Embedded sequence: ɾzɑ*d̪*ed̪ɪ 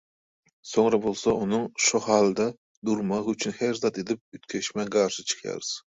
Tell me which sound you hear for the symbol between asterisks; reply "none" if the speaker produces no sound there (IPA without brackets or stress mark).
t̪